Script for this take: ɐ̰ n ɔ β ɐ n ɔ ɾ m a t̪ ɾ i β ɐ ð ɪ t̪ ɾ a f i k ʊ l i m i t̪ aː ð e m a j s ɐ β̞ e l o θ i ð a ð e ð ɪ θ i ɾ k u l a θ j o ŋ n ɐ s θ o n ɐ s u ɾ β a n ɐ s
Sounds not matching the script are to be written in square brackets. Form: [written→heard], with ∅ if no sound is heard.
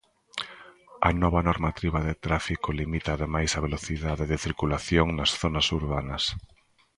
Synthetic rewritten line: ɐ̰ n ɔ β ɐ n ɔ ɾ m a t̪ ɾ i β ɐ ð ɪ t̪ ɾ a f i k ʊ l i m i t̪ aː ð e m a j s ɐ β̞ e l o θ i ð a ð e ð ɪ θ i ɾ k u l a θ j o ŋ n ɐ s θ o n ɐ s u ɾ β a n ɐ s